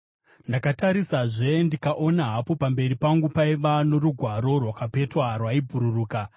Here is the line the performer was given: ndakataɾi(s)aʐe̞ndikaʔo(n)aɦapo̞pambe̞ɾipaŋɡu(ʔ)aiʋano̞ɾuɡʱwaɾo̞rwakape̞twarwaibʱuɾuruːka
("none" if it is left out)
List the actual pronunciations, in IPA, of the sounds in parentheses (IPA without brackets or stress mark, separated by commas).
s, n, p